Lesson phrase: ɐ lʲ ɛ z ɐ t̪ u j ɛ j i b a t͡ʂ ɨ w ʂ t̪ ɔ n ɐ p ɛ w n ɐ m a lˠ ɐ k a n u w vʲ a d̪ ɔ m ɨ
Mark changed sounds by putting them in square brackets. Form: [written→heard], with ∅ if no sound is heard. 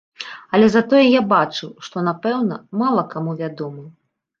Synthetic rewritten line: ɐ lʲ ɛ z [ɐ→a] t̪ [u→ɔ] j ɛ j [i→a] b a t͡ʂ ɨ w ʂ t̪ ɔ n [ɐ→a] p ɛ w n ɐ m a lˠ ɐ k a [n→m] u [w→∅] vʲ a d̪ ɔ m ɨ

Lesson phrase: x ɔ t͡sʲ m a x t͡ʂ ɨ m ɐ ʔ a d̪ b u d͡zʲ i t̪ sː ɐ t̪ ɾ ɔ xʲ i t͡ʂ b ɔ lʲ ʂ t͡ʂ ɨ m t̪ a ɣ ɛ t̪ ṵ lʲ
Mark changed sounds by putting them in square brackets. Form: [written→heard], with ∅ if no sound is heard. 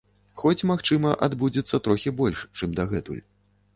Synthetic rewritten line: x ɔ t͡sʲ m a x t͡ʂ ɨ m ɐ ʔ a d̪ b u d͡zʲ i t̪ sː ɐ t̪ ɾ ɔ xʲ i [t͡ʂ→∅] b ɔ lʲ ʂ t͡ʂ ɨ m [t̪→d̪] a ɣ ɛ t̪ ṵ lʲ

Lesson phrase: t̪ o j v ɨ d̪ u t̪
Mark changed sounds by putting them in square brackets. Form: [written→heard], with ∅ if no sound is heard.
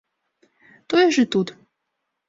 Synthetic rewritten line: t̪ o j [v→ʒ] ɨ [d̪→t̪] u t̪

